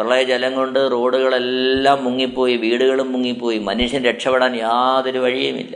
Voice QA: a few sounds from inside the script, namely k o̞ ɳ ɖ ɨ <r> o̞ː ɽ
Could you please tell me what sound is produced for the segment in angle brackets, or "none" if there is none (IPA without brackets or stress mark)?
r